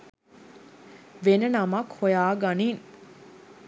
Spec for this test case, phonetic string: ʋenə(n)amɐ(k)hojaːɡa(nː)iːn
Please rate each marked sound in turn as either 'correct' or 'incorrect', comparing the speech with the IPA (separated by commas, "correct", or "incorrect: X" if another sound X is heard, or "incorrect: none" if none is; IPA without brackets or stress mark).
correct, correct, incorrect: n